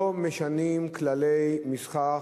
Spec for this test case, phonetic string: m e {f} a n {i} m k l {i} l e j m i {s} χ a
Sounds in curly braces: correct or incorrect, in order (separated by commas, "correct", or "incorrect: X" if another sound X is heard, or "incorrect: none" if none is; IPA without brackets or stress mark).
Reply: incorrect: ʃ, correct, incorrect: a, correct